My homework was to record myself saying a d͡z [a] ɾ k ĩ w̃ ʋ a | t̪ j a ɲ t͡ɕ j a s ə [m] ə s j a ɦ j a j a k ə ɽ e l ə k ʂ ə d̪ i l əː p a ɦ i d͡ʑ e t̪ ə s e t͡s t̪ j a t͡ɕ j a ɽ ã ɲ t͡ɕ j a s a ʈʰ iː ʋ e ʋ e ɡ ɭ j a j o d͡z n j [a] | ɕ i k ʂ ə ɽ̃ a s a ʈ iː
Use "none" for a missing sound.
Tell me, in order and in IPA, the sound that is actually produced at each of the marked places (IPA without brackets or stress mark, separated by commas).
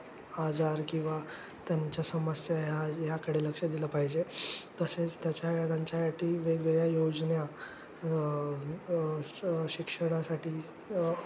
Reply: a, m, a